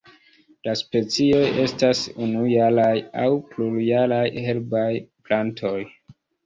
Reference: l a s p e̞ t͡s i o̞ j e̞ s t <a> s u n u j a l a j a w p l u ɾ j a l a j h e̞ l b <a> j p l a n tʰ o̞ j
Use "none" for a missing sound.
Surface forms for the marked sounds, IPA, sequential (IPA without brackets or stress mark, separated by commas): a, a